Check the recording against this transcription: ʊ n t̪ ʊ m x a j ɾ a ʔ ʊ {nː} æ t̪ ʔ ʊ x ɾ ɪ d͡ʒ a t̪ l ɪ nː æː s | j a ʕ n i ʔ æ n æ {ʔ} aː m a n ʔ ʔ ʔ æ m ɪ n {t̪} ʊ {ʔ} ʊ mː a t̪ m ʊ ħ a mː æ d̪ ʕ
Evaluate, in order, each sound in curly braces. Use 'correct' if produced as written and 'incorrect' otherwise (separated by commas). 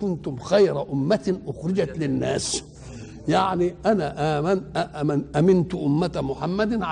incorrect, correct, correct, correct